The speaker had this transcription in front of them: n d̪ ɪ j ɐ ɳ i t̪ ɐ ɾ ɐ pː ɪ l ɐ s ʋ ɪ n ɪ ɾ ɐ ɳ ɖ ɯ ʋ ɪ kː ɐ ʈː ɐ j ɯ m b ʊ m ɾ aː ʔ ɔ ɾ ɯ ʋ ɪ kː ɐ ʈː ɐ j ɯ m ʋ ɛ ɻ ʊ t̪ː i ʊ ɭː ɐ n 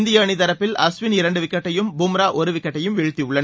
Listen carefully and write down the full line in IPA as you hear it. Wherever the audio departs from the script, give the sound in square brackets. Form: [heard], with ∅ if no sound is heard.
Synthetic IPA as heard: n d̪ ɪ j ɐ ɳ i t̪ ɐ ɾ ɐ pː ɪ l ɐ s ʋ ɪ n ɪ ɾ ɐ ɳ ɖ ɯ ʋ ɪ kː ɐ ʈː ɐ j ɯ m b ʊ m ɾ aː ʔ ɔ ɾ ɯ ʋ ɪ kː ɐ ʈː ɐ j ɯ m ʋ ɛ ɻ [ɯ] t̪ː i ʊ ɭː ɐ n